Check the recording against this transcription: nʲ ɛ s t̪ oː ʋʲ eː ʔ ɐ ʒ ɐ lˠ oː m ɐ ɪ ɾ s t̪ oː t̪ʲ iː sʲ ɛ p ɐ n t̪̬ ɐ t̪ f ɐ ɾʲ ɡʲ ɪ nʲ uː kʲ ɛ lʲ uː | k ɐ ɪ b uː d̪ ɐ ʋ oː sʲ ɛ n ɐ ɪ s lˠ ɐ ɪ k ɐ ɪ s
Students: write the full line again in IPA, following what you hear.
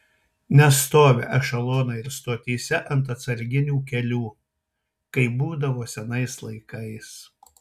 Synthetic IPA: nʲ ɛ s t̪ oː ʋʲ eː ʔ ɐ ʃ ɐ lˠ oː n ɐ ɪ ɾ s t̪ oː t̪ʲ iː sʲ ɛ ʔ ɐ n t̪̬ ɐ t̪ s ɐ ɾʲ ɡʲ ɪ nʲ uː kʲ ɛ lʲ uː | k ɐ ɪ b uː d̪ ɐ ʋ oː sʲ ɛ n ɐ ɪ s lˠ ɐ ɪ k ɐ ɪ s

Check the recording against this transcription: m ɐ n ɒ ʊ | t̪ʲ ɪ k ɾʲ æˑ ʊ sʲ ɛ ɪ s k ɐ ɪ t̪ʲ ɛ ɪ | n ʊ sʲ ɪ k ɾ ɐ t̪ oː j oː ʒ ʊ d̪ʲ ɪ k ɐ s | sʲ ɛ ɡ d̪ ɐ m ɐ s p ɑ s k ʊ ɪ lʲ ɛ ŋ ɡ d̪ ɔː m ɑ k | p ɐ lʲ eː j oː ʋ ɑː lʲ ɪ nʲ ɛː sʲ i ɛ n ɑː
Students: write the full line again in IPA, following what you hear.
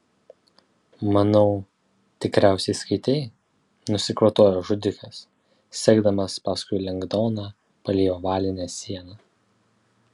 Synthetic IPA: m ɐ n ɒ ʊ | t̪ʲ ɪ k ɾʲ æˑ ʊ sʲ ɛ ɪ s k ɐ ɪ t̪ʲ ɛ ɪ | n ʊ sʲ ɪ k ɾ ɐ t̪ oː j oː ʒ ʊ d̪ʲ ɪ k ɐ s | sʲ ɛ ɡ d̪ ɐ m ɐ s p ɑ s k ʊ ɪ lʲ ɛ ŋ ɡ d̪ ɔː n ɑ | p ɐ lʲ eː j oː ʋ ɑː lʲ ɪ nʲ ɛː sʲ i ɛ n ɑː

